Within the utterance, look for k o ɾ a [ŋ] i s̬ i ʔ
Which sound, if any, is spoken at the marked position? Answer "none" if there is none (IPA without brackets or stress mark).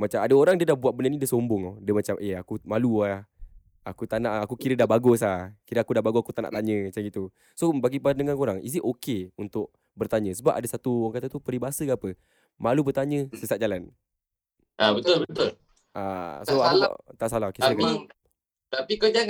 ŋ